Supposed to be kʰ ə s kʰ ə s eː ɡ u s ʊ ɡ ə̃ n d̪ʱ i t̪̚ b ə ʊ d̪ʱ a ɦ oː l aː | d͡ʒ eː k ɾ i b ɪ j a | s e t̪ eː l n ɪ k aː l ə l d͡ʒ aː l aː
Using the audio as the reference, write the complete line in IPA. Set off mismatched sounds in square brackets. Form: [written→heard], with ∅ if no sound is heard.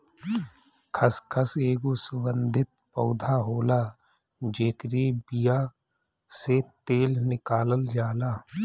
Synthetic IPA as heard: kʰ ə s kʰ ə s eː ɡ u s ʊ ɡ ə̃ n d̪ʱ [i→ɪ] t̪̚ [b→p] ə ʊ d̪ʱ a ɦ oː l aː | d͡ʒ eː k ɾ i b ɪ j a | s e t̪ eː l n ɪ k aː l ə l d͡ʒ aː l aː